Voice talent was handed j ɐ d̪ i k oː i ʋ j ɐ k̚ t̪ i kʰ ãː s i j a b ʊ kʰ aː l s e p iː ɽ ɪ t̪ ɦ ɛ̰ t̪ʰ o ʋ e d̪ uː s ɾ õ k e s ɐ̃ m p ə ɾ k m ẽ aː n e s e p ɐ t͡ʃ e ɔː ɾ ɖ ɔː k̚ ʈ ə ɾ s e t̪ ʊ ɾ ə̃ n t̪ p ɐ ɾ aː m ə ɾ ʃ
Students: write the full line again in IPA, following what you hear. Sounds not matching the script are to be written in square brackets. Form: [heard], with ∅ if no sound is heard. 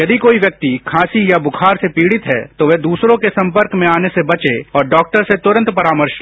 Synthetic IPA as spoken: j ɐ d̪ i k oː i ʋ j ɐ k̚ t̪ i kʰ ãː s i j a b ʊ kʰ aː [ɾ] s e p iː ɽ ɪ t̪ ɦ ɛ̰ [t̪] o ʋ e d̪ uː s ɾ õ k e s ɐ̃ m p ə ɾ k m ẽ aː n e s e [b] ɐ t͡ʃ e ɔː ɾ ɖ ɔː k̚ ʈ ə ɾ s e t̪ ʊ ɾ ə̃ n t̪ p ɐ ɾ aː m ə ɾ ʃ